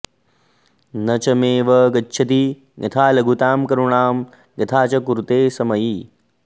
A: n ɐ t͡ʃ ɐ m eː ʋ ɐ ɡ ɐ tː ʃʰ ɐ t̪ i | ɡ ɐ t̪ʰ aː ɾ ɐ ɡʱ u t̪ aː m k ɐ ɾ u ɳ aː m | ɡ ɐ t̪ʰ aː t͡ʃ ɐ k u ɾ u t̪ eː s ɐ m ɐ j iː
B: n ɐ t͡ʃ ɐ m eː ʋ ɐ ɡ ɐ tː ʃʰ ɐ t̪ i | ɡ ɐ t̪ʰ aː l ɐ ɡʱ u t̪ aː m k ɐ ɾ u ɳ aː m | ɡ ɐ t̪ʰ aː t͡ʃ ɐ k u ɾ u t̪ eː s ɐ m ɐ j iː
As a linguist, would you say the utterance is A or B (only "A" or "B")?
B